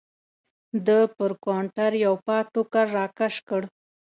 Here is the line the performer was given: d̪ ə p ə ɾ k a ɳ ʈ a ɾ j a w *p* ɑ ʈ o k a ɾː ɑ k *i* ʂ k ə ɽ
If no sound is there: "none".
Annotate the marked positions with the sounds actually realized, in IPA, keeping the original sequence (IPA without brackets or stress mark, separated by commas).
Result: p, a